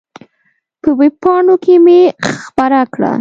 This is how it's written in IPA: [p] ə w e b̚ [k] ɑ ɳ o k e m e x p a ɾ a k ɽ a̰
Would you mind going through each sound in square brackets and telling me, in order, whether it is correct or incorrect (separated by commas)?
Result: correct, incorrect